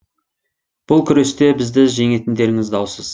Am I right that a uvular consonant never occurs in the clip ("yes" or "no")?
yes